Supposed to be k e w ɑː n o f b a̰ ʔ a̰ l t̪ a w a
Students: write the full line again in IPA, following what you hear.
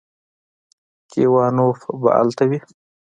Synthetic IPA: k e w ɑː n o f b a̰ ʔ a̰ l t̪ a w i